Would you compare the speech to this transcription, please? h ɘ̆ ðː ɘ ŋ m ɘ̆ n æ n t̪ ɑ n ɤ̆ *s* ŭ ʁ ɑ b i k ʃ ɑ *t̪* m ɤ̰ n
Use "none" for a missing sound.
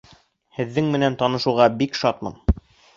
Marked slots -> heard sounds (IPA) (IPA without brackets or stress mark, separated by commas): ʃ, t̪